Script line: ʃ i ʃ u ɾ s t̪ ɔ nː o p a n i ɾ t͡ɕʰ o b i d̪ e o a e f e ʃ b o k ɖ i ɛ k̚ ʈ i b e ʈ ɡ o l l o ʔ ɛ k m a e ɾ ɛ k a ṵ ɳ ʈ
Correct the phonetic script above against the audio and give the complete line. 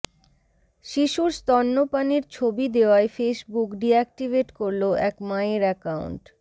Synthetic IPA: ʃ i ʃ u ɾ s t̪ ɔ nː o p a n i ɾ t͡ɕʰ o b i d̪ e o a e f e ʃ b u k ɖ i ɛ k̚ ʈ i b e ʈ k o ɾ l o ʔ ɛ k m a e ɾ ɛ k a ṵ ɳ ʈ